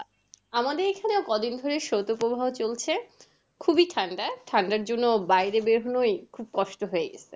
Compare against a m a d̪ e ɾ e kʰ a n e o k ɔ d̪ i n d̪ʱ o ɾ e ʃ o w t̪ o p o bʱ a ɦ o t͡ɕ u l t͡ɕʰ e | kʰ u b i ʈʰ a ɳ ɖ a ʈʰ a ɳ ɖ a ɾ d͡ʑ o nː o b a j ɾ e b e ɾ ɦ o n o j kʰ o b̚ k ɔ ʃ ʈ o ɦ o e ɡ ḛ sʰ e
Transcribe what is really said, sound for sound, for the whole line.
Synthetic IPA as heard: a m a d̪ e ɾ e kʰ a n e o k ɔ d̪ i n d̪ʱ o ɾ e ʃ o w t̪ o p o bʱ a ɦ o t͡ɕ o l t͡ɕʰ e | kʰ u b i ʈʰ a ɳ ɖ a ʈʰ a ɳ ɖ a ɾ d͡ʑ o nː o b a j ɾ e b e ɾ ɦ o n o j kʰ u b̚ k ɔ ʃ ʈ o ɦ o e ɡ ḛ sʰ e

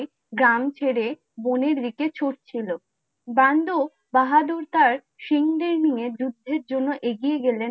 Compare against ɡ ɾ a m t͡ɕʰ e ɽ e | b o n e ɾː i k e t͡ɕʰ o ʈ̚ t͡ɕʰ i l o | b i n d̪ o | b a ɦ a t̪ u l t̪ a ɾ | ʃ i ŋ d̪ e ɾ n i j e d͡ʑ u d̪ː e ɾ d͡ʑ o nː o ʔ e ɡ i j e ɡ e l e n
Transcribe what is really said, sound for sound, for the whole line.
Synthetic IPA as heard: ɡ ɾ a m t͡ɕʰ e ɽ e | b o n e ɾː i k e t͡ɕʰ o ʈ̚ t͡ɕʰ i l o | b a n d̪ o | b a ɦ a d̪ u ɾ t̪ a ɾ | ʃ i ŋ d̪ e ɾ n i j e d͡ʑ u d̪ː e ɾ d͡ʑ o nː o ʔ e ɡ i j e ɡ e l e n

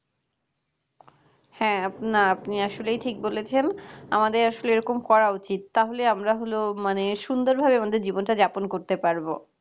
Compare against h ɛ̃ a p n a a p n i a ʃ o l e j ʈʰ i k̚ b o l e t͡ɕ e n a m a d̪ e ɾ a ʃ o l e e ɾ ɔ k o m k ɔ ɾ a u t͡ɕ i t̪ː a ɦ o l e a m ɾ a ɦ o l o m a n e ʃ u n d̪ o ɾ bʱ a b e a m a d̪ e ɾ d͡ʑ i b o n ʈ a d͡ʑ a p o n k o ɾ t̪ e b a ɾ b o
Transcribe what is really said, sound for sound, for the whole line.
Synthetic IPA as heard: h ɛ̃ a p n a a p n i a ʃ o l e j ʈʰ i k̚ b o l e t͡ɕʰ e n a m a d̪ e ɾ a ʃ o l e e ɾ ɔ k o m k ɔ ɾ a u t͡ɕ i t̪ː a ɦ o l e a m ɾ a ɦ o l o m a n e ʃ u n d̪ o ɾ bʱ a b e a m a d̪ e ɾ d͡ʑ i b o n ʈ a d͡ʑ a p o n k o ɾ t̪ e p a ɾ b o

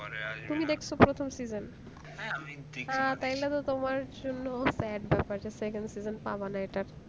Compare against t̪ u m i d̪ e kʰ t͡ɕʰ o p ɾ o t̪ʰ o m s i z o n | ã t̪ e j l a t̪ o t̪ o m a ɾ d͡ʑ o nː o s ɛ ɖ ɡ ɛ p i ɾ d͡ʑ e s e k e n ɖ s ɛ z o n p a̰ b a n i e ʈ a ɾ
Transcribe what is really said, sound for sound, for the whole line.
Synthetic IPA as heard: t̪ u m i d̪ e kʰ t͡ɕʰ o p ɾ o t̪ʰ o m s i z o n | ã t̪ a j l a t̪ o t̪ o m a ɾ d͡ʑ o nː o s ɛ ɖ b ɛ p a ɾ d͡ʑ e s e k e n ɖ s i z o n p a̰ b a n a e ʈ a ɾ

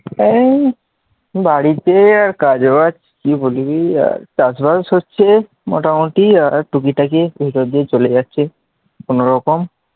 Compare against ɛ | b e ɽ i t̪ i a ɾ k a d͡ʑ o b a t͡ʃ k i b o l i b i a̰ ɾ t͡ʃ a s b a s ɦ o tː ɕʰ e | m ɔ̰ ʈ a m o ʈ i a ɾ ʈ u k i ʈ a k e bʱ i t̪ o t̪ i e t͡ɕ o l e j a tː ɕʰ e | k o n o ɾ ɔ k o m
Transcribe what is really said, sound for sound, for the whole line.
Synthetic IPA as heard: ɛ | b a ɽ i t̪ e a ɾ k a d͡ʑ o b a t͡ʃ k i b o l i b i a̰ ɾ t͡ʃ a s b a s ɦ o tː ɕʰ e | m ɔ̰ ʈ a m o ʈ i a ɾ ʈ u k i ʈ a k e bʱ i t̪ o d̪ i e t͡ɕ o l e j a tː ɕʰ e | k o n o ɾ ɔ k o m

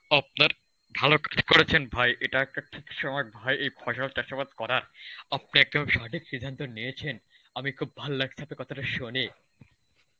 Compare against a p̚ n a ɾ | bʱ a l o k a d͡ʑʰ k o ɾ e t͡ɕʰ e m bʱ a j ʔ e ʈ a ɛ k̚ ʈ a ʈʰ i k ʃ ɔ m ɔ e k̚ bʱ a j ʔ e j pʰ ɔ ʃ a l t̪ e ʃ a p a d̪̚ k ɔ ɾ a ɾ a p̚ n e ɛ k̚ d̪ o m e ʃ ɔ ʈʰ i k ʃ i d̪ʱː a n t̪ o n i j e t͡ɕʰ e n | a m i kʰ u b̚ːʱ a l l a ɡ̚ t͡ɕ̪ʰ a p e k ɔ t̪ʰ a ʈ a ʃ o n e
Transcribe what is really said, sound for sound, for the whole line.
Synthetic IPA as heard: a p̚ n a ɾ | bʱ a l o k a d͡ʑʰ k o ɾ e t͡ɕʰ e n bʱ a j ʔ e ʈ a ɛ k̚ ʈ a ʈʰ i k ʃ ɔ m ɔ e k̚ bʱ a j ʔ e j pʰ ɔ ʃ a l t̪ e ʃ a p a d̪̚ k ɔ ɾ a ɾ a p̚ n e ɛ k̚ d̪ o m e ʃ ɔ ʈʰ i k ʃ i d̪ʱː a n t̪ o n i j e t͡ɕʰ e n | a m i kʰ u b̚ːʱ a l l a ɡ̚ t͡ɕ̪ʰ a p e k ɔ t̪ʰ a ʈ a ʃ o n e

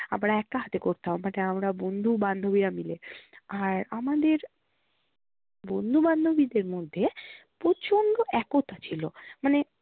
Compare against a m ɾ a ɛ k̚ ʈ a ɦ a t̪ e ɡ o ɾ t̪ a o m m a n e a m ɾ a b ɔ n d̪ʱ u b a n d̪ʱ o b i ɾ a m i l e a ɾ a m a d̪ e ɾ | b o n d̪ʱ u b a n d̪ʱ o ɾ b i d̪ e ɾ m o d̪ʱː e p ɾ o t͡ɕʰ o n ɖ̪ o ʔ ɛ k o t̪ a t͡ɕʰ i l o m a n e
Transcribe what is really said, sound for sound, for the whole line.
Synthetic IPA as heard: a m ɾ a ɛ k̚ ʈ a ɦ a t̪ e k o ɾ t̪ a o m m a n e a m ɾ a b o n d̪ʱ u b a n d̪ʱ o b i ɾ a m i l e a ɾ a m a d̪ e ɾ | b o n d̪ʱ u b a n d̪ʱ o b i d̪ e ɾ m o d̪ʱː e p ɾ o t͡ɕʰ o n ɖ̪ o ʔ ɛ k o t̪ a t͡ɕʰ i l o m a n e

